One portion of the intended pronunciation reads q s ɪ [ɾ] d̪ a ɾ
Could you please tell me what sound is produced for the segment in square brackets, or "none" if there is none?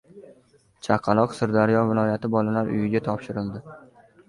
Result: ɾ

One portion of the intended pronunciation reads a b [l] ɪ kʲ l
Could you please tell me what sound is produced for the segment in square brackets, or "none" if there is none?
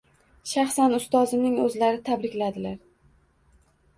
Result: ɾ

